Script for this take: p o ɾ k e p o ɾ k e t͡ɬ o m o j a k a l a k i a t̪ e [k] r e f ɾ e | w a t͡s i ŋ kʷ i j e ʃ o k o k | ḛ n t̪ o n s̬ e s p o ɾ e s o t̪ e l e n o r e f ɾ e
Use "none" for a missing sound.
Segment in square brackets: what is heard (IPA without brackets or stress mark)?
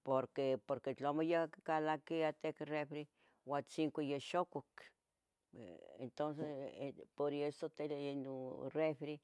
k